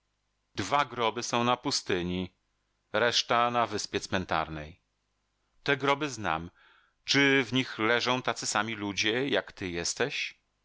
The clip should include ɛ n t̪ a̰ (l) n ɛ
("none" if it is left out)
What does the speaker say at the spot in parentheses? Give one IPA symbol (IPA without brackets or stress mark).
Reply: ɾ